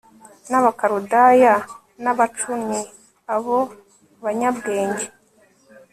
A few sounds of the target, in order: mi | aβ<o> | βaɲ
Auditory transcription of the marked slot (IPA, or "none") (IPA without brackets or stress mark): o